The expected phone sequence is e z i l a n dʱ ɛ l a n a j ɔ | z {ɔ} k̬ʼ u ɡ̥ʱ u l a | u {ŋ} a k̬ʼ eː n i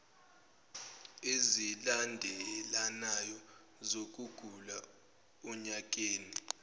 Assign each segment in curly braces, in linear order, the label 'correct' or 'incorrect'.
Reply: incorrect, incorrect

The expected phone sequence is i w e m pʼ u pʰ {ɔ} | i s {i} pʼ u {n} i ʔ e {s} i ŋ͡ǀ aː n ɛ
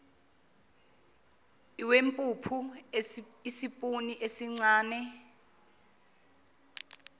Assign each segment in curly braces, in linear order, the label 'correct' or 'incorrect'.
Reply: incorrect, correct, correct, correct

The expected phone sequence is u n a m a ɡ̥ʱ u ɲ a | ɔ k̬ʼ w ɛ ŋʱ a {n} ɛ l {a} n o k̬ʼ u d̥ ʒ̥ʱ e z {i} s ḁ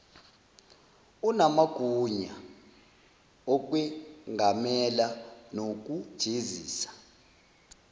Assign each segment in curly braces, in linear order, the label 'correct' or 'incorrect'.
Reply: incorrect, correct, incorrect

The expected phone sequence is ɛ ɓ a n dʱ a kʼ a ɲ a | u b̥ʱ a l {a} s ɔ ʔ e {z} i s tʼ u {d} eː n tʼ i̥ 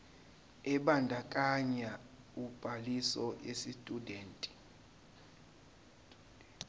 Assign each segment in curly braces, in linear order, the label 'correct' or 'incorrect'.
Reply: incorrect, incorrect, correct

